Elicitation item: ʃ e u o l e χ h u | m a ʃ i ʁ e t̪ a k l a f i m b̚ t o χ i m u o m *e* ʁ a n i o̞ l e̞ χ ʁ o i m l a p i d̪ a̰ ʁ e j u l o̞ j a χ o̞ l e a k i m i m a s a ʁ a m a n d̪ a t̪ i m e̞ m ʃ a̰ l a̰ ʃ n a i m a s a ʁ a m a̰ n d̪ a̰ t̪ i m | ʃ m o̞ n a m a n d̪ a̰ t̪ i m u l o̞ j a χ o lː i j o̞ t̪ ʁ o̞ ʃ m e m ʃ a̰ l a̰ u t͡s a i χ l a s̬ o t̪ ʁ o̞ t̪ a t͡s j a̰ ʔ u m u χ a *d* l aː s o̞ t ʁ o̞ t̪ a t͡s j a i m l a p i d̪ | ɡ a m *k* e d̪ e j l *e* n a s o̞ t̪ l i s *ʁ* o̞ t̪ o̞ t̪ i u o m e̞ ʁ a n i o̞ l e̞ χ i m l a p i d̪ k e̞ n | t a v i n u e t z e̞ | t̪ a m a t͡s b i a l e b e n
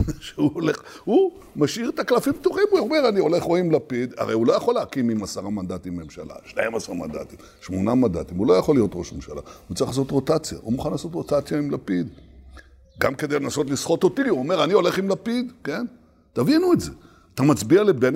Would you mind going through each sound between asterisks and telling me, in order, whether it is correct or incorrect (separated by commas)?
correct, incorrect, correct, correct, incorrect